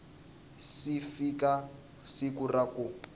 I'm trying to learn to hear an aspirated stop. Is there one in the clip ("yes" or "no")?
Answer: no